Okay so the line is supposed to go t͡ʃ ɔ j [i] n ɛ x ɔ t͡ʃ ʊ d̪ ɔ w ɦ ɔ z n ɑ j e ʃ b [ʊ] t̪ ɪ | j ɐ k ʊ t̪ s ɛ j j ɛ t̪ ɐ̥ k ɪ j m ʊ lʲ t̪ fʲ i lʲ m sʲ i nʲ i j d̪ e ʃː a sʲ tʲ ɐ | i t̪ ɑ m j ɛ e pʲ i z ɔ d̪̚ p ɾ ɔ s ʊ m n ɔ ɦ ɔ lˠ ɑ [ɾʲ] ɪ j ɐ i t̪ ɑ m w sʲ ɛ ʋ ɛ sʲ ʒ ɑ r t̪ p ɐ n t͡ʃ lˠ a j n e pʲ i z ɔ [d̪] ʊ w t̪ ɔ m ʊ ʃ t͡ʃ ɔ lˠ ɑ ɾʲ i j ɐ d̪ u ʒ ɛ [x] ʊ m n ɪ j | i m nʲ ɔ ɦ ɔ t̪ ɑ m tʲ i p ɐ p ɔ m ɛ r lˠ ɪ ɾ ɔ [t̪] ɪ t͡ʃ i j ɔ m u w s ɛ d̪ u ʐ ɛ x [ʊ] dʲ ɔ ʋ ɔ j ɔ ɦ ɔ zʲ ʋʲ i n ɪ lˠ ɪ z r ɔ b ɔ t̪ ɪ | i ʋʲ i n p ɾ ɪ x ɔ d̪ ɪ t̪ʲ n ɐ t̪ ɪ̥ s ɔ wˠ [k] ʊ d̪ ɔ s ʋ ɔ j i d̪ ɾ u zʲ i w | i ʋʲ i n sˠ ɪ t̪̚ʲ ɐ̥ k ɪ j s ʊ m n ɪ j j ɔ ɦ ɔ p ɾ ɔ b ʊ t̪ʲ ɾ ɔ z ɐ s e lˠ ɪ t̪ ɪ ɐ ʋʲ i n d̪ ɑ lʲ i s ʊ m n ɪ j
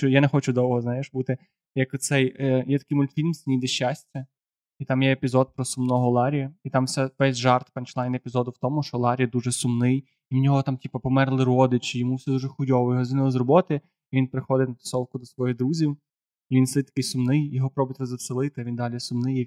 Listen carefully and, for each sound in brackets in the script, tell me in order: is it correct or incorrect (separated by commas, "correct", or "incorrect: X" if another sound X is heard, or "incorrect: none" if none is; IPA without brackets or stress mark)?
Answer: incorrect: a, incorrect: u, correct, correct, incorrect: s, incorrect: d̪, correct, correct